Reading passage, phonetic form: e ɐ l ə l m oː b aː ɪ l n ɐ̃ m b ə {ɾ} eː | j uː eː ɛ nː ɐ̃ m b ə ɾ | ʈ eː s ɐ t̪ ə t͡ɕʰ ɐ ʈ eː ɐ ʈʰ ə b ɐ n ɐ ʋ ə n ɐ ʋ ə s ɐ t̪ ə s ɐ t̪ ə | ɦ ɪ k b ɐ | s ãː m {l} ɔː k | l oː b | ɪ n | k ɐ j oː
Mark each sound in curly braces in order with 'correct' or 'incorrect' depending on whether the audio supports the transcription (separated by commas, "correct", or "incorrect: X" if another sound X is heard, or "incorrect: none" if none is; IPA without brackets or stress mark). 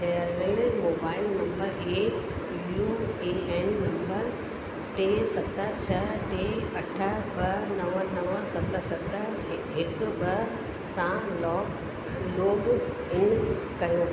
correct, correct